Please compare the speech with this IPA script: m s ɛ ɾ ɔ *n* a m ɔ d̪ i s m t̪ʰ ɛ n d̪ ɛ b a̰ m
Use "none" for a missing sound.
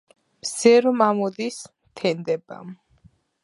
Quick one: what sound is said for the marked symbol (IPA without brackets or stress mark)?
m